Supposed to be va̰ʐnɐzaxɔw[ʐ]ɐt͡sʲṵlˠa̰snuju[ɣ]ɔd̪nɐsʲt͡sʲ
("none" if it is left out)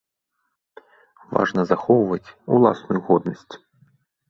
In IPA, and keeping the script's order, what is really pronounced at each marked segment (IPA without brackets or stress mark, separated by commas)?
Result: v, ɣ